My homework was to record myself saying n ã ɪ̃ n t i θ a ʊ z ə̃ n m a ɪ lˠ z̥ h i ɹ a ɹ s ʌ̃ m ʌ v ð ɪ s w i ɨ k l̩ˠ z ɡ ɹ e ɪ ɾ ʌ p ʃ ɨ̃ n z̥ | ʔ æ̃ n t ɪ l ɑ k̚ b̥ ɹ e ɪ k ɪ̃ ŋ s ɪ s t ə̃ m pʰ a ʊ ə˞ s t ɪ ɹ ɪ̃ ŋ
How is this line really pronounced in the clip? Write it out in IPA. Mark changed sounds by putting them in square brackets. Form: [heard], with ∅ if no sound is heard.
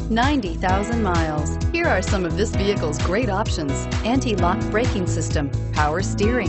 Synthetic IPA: n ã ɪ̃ n t i θ a ʊ z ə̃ n m a ɪ lˠ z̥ h i ɹ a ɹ s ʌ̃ m ʌ v ð ɪ s [v] i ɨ k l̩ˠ z ɡ ɹ e ɪ ɾ [ɑ] p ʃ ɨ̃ n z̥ | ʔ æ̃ n t [i] l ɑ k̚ b̥ ɹ e ɪ k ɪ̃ ŋ s ɪ s t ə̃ m pʰ a ʊ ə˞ s t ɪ ɹ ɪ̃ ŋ